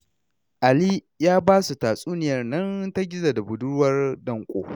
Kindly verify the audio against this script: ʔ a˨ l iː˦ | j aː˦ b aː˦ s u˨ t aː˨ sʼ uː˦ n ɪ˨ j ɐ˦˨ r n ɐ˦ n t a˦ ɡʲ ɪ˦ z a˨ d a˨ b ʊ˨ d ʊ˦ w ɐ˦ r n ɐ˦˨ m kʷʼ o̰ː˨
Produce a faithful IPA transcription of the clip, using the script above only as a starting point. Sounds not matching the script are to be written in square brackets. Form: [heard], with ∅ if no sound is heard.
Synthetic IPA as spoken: ʔ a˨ l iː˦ | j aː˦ b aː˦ s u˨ t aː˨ sʼ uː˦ n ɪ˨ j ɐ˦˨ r n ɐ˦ n t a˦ ɡʲ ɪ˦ z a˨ d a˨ b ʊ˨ d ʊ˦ w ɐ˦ r [d] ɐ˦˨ [ŋ] kʷʼ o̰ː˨

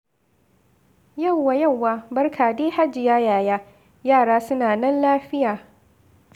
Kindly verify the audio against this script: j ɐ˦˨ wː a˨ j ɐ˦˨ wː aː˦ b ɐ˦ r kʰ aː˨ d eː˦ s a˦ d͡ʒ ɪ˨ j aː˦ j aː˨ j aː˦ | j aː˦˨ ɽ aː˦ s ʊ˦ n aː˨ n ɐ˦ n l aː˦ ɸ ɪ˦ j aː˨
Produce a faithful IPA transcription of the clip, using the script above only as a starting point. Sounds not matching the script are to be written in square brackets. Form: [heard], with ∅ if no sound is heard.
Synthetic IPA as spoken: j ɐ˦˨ wː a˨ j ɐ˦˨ wː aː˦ b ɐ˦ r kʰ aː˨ d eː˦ [h] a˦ d͡ʒ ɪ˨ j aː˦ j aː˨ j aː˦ | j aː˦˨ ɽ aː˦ s ʊ˦ n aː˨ n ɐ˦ n l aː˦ ɸ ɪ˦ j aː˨

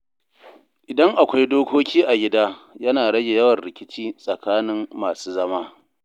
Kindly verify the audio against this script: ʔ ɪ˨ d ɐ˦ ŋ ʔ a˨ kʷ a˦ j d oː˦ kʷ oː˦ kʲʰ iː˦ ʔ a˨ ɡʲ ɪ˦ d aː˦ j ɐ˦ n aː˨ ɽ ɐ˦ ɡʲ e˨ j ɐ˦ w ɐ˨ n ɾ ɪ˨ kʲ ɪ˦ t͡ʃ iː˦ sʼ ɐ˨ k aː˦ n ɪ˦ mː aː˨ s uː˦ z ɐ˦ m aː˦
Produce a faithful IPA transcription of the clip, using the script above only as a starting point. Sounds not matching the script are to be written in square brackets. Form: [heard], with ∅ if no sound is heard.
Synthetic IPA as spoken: ʔ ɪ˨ d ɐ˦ ŋ ʔ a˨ kʷ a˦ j d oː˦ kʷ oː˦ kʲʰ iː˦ ʔ a˨ ɡʲ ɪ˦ d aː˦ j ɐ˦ n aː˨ ɽ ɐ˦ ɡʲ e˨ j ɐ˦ w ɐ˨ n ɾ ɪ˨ kʲ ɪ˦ t͡ʃ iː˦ sʼ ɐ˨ k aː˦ n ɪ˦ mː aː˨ s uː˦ z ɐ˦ m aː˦

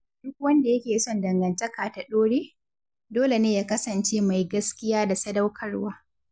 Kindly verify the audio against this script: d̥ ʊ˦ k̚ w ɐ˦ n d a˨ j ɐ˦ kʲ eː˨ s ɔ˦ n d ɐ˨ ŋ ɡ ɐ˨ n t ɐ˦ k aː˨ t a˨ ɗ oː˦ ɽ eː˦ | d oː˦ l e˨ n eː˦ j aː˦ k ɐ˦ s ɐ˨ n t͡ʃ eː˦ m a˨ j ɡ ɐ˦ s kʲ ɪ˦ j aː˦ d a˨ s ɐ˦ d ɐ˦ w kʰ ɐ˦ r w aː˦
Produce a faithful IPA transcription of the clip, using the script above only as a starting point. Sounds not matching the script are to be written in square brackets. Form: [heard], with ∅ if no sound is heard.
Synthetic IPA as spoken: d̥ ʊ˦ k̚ w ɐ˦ n d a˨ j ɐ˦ kʲ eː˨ s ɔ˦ n d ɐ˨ ŋ ɡ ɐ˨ n t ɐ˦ k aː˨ t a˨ ɗ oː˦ ɽ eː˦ | d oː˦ l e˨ n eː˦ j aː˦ k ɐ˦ s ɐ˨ n t͡ʃ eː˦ m a˨ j ɡ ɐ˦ s kʲ ɪ˦ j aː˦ d a˨ s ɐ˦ d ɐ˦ w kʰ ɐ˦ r w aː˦

